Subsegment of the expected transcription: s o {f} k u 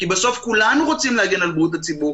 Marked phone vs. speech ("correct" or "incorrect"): correct